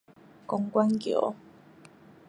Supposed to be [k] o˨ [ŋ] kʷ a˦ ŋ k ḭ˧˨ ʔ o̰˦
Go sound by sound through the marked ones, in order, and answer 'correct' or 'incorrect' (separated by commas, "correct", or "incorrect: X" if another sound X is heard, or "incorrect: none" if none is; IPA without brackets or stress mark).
correct, correct